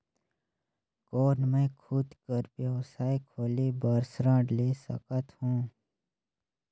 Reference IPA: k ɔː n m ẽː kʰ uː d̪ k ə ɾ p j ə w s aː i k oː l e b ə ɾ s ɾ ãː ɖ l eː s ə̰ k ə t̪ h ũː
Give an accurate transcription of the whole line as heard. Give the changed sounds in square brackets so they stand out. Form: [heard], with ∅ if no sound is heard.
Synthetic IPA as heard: k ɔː n m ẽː kʰ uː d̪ k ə ɾ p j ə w s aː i [kʰ] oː l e b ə ɾ s ɾ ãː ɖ l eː s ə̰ k ə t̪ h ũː